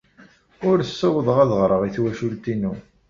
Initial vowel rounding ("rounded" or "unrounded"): rounded